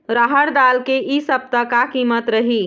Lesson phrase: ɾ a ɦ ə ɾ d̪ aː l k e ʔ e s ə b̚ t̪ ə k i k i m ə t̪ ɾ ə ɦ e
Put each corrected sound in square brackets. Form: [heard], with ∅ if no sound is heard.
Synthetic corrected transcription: ɾ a ɦ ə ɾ d̪ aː l k e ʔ [i] s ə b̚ t̪ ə k [a] k i m ə t̪ ɾ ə ɦ [i]